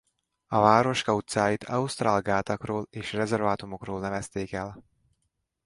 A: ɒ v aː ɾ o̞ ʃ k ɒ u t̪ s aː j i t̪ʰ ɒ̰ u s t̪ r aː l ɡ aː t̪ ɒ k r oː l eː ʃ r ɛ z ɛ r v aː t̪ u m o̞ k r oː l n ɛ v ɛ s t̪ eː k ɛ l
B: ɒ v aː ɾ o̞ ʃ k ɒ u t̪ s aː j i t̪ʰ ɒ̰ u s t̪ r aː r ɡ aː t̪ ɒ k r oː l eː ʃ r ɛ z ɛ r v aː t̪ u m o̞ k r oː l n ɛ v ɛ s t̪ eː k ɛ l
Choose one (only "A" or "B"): A